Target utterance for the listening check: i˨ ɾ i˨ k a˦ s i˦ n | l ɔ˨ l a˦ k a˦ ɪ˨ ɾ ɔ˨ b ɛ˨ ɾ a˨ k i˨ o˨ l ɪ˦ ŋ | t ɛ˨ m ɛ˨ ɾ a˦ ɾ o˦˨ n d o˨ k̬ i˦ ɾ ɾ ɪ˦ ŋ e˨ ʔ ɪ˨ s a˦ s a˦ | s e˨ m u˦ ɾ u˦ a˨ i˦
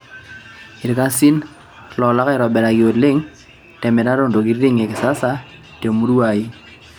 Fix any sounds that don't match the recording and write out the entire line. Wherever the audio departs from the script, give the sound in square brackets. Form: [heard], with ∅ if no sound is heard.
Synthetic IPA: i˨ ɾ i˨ k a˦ s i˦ n | l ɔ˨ l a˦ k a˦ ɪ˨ ɾ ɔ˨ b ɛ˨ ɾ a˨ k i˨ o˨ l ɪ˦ ŋ | t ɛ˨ m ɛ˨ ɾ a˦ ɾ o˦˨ n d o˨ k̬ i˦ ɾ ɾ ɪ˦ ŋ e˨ [k] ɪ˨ s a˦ s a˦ | [t] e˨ m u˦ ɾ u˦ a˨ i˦

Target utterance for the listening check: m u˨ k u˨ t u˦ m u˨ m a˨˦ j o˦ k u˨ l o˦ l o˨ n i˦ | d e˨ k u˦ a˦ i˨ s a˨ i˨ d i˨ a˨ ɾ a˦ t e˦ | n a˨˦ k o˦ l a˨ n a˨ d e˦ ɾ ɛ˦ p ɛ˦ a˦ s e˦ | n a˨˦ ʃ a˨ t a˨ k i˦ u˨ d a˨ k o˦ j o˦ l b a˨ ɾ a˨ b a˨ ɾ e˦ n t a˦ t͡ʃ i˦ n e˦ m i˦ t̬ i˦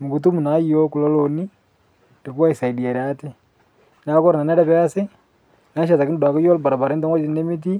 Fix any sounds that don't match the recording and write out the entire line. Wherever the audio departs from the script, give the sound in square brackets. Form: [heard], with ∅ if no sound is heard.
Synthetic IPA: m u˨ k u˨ t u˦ m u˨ [n] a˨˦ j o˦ k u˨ l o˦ l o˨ n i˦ | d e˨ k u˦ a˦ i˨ s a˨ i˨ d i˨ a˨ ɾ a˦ t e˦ | n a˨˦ k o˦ [ɾ] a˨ n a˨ [n] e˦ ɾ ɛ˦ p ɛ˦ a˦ s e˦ | n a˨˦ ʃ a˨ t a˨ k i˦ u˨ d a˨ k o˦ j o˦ l b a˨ ɾ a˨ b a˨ ɾ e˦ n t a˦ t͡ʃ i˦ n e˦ m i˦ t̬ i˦

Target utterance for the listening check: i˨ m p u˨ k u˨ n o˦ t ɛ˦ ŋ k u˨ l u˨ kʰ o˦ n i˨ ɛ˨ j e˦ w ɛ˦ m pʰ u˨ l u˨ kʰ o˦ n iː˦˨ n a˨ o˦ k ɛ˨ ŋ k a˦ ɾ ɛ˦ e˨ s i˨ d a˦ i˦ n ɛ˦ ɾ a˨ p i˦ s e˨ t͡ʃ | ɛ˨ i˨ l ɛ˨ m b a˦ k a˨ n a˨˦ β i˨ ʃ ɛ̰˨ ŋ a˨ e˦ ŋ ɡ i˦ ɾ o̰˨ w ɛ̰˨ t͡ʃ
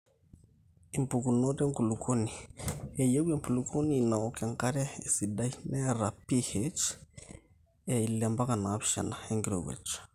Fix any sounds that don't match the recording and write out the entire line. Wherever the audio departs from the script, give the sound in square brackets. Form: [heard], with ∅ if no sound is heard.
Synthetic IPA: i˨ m p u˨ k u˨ n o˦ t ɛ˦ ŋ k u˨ l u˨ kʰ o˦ n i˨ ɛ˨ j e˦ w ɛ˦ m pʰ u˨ l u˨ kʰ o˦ n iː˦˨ n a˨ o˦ k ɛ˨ ŋ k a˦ ɾ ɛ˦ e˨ s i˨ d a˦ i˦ n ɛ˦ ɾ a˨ p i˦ [h] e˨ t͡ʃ | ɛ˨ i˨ l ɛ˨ m b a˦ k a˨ n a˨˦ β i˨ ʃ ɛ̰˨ [n] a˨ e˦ ŋ ɡ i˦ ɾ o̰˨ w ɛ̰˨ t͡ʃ

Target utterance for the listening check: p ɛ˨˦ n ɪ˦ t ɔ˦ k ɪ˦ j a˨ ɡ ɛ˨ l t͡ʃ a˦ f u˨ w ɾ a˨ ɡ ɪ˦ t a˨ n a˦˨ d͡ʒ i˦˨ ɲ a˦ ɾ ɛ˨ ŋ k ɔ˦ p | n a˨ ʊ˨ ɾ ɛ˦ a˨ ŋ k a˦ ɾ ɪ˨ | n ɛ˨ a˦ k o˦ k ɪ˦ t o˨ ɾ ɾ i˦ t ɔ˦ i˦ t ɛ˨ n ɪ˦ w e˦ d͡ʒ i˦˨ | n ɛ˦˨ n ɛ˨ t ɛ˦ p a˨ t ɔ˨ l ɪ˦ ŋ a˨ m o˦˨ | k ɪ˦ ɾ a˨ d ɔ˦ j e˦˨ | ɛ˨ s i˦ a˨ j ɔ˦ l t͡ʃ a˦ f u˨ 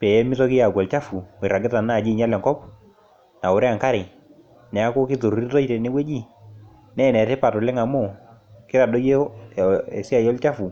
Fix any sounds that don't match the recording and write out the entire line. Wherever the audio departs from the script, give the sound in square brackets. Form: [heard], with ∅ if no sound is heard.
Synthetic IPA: p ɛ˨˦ [m] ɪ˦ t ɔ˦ k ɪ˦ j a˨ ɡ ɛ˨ l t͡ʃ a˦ f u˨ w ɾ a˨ ɡ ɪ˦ t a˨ n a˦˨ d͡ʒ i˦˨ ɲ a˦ [l] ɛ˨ ŋ k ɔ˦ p | n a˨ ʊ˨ ɾ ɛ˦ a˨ ŋ k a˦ ɾ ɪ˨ | n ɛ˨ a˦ k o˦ k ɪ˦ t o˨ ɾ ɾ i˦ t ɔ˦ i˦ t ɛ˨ n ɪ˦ w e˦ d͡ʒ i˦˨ | n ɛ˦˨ n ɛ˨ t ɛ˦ p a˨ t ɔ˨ l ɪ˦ ŋ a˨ m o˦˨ | k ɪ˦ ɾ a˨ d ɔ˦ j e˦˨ | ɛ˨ s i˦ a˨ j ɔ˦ l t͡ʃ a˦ f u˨

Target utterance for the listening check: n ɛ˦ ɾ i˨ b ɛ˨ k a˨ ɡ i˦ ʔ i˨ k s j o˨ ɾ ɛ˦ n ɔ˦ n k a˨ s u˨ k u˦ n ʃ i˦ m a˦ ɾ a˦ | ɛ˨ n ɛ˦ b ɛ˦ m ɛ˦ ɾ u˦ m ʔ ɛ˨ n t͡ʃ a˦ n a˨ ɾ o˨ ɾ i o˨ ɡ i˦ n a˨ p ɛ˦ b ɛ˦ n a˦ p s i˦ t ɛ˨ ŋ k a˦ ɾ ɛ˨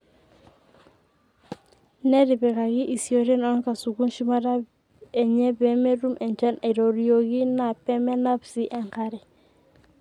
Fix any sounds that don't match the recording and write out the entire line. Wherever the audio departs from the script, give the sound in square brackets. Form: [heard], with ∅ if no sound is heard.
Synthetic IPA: n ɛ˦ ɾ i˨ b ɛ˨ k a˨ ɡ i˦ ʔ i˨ [∅] s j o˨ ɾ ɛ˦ n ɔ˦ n k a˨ s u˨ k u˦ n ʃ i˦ m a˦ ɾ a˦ | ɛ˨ [ɲ] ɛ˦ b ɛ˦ m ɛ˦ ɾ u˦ m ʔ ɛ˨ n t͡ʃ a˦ n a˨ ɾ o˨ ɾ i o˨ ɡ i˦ n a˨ p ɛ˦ [m] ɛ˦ n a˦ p s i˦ [ʔ] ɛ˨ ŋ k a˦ ɾ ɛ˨

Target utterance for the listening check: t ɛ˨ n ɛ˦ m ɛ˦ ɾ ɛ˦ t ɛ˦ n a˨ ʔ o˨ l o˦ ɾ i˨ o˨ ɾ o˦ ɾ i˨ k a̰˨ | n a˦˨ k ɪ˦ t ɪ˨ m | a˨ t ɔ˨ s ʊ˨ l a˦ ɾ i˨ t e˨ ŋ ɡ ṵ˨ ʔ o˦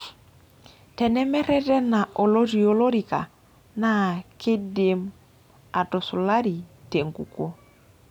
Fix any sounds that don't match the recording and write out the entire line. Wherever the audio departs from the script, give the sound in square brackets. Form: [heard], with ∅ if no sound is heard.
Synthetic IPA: t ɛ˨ n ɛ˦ m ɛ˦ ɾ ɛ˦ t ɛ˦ n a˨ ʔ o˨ l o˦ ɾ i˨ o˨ [l] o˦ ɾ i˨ k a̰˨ | n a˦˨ k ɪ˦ [d] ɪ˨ m | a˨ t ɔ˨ s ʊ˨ l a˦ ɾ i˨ t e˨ ŋ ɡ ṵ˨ [k] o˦

